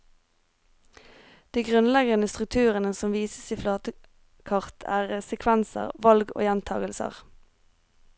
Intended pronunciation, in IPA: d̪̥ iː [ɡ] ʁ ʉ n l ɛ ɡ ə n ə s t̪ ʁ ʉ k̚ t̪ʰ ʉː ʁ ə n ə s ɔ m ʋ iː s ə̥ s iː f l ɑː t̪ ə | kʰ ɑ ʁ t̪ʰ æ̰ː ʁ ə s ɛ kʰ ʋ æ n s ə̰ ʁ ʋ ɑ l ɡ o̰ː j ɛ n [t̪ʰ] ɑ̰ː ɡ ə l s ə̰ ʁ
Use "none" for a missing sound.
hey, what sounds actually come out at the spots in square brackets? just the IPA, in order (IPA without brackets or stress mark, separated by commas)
ɡ, t̪ʰ